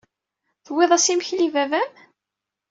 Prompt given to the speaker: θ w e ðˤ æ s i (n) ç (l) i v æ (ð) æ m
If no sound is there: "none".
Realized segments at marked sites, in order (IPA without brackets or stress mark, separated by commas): m, l, v